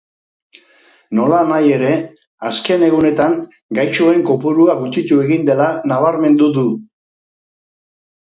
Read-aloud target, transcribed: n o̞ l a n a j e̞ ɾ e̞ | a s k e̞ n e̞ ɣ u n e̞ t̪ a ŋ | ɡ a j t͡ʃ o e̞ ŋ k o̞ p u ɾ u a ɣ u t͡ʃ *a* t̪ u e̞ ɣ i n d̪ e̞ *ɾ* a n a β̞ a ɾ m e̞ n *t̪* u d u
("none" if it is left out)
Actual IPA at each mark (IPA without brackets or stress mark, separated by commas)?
i, l, d̪